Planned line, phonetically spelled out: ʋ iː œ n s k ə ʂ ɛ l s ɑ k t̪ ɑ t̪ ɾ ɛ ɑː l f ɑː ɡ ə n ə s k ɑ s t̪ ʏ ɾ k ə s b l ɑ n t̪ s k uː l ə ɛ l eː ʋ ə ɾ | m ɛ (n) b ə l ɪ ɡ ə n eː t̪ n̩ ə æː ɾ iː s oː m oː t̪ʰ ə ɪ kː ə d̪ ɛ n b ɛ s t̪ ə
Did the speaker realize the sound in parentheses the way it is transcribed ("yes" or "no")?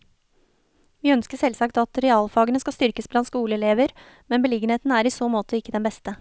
yes